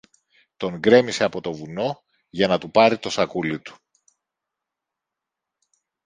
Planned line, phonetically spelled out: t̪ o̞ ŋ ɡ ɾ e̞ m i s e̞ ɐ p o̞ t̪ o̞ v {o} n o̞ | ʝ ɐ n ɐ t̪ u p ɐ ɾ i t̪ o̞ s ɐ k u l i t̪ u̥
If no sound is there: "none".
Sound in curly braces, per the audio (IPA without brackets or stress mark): u